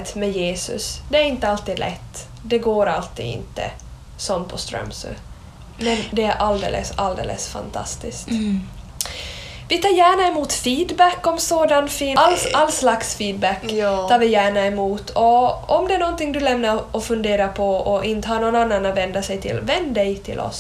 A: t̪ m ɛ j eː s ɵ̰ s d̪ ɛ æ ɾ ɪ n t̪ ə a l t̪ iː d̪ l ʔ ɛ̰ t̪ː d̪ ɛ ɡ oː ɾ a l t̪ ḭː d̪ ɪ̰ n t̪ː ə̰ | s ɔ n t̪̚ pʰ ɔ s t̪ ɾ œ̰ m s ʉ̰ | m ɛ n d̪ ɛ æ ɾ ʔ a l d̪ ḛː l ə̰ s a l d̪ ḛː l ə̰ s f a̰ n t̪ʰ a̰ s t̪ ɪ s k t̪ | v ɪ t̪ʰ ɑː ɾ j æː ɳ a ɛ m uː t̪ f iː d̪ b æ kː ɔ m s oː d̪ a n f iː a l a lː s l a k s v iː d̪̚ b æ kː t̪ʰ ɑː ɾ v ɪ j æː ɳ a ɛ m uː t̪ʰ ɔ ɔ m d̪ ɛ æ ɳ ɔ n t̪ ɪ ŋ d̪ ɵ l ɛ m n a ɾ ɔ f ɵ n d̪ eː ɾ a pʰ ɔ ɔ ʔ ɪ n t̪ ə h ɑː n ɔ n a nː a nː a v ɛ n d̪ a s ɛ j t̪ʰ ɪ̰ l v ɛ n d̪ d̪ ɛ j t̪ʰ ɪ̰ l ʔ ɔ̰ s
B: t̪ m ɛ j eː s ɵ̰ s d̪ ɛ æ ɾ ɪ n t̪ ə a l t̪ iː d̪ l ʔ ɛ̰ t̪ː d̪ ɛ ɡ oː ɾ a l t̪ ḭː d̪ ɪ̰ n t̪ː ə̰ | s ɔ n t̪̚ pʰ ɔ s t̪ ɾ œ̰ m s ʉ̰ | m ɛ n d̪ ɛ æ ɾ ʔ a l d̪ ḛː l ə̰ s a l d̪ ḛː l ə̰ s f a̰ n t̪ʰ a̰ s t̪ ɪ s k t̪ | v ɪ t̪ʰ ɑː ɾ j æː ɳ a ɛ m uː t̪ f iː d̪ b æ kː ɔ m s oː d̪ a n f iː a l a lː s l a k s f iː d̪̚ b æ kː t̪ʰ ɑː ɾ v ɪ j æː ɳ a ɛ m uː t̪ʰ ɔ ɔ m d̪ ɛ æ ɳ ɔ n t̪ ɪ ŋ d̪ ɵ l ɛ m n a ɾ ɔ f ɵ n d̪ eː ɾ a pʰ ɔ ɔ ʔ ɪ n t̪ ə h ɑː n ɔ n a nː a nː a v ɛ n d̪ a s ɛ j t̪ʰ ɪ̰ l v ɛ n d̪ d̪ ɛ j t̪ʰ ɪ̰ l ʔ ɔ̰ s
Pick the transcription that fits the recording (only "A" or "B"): B